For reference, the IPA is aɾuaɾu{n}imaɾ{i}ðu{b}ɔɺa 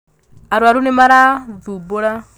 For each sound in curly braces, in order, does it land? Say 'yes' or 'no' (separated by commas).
yes, no, yes